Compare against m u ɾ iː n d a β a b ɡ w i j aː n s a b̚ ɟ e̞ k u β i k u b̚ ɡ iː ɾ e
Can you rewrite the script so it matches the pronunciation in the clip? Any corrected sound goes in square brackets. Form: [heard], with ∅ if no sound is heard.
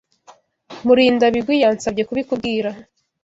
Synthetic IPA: m u ɾ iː n d a β [i] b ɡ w i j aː n s a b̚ ɟ e̞ k u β i k u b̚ ɡ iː ɾ [a]

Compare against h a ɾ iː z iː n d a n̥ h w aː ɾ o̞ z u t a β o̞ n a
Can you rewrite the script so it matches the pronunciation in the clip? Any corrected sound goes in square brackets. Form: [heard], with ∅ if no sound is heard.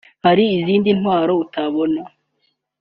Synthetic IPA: h a ɾ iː z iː n d [i] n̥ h w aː ɾ o̞ [∅] u t a β o̞ n a

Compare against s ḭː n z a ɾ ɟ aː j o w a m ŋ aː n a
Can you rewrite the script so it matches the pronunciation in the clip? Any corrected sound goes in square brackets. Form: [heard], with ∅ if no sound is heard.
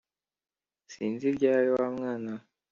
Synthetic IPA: s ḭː n z [i] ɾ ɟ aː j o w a m ŋ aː n a

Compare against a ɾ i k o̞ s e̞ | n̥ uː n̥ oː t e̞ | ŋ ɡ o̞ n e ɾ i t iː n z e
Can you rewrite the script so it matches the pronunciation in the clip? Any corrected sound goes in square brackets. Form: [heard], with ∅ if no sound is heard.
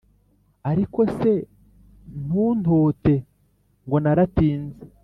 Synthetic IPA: a ɾ i k o̞ s e̞ | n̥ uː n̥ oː t e̞ | ŋ ɡ o̞ n [a] ɾ [a] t iː n z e

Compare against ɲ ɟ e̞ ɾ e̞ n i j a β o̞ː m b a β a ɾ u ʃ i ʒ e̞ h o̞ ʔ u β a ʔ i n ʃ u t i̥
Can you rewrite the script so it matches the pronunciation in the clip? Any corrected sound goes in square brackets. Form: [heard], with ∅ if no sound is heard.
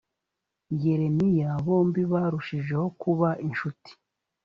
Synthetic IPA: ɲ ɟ e̞ ɾ e̞ n i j a β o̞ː m b [i] β a ɾ u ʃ i ʒ e̞ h o̞ [k] u β a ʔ i n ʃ u t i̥

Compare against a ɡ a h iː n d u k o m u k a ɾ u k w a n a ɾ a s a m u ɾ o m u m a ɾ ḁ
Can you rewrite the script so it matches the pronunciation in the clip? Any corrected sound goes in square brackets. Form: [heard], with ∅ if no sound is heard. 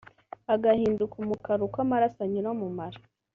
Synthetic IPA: a ɡ a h iː n d u k [u] m u k a ɾ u k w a [m] a ɾ a s a [ɲ] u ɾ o m u m a ɾ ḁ

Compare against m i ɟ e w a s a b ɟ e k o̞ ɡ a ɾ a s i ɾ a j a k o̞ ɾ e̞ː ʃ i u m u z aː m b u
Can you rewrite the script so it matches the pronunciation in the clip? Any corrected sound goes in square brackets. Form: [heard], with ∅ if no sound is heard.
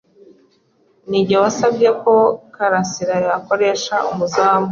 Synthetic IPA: [n] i ɟ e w a s a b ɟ e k o̞ [k] a ɾ a s i ɾ a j a k o̞ ɾ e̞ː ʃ [a] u m u z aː m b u

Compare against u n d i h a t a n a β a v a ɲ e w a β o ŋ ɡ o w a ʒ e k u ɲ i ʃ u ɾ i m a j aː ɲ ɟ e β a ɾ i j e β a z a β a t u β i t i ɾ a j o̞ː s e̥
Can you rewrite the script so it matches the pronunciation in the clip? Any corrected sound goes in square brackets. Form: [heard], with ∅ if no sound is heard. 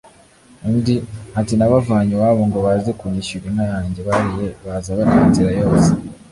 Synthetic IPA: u n d i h a t [i] n a β a v a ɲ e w a β o ŋ ɡ o [β] a [z] e k u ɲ i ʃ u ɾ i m a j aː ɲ ɟ e β a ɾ i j e β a z a β a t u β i t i ɾ a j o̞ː s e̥

